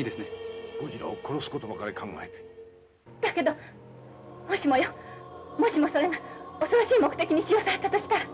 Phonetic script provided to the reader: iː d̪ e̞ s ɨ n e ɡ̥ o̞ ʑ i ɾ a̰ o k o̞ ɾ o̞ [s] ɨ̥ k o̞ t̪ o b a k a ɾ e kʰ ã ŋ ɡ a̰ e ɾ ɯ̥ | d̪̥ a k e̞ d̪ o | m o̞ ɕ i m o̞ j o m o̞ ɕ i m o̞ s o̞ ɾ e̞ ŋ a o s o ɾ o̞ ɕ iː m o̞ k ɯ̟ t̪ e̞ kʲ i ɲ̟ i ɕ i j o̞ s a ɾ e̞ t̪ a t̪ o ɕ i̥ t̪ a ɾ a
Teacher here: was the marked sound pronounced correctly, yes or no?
yes